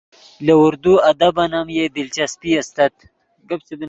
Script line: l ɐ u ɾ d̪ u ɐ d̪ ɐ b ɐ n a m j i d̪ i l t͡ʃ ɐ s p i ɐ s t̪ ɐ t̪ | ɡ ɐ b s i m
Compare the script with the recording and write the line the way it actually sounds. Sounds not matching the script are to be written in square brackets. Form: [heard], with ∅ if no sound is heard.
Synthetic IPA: l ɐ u ɾ d̪ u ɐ d̪ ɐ b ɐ n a m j [e] d̪ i l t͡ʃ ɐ s p i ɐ s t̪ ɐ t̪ | ɡ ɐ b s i [b]